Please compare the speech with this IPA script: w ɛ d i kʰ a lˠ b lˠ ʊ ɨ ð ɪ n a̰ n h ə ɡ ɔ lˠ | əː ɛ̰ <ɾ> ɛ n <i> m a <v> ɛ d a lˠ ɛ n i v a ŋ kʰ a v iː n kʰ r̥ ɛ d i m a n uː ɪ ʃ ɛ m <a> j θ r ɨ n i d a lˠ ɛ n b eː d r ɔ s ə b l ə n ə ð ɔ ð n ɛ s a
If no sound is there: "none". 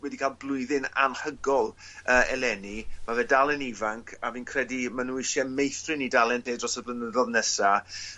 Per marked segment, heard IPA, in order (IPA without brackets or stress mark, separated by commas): l, i, v, e